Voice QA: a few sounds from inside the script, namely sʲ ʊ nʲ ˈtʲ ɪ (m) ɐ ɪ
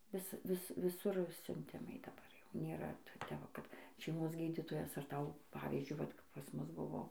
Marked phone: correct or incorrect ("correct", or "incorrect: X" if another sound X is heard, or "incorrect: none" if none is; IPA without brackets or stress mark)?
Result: correct